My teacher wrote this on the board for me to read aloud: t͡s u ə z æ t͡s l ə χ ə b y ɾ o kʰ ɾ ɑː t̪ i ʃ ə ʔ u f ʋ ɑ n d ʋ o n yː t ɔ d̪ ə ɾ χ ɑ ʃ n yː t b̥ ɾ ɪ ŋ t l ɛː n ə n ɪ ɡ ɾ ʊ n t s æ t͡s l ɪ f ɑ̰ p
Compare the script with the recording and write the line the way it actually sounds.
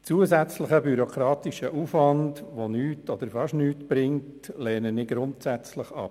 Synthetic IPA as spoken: t͡s u ə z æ t͡s l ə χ ə b y ɾ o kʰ ɾ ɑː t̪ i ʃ ə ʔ u f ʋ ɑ n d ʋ o n yː t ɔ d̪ ə ɾ f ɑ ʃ n yː t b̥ ɾ ɪ ŋ t l ɛː n ə n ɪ ɡ ɾ ʊ n t s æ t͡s l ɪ χ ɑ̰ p